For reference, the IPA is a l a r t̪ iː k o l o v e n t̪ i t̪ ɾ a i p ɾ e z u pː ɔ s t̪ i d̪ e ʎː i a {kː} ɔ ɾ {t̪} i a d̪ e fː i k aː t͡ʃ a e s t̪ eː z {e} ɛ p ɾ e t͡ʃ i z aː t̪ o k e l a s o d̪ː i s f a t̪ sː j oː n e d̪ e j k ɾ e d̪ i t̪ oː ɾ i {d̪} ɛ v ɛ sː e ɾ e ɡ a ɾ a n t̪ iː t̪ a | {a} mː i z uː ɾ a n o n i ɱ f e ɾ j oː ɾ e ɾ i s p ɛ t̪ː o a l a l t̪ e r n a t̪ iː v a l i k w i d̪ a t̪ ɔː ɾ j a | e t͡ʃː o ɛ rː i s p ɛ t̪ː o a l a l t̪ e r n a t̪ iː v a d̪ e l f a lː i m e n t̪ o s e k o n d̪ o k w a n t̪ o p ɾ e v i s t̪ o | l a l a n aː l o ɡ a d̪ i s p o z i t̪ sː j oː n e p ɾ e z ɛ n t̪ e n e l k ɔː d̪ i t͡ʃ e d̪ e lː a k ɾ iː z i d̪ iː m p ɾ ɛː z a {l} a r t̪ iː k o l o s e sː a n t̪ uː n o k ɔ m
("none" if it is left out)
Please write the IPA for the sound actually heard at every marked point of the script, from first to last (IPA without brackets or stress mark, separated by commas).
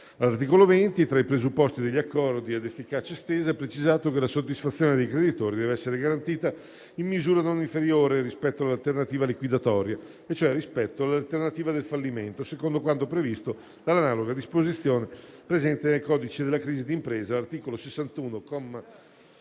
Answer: kː, d̪, a, d̪, i, l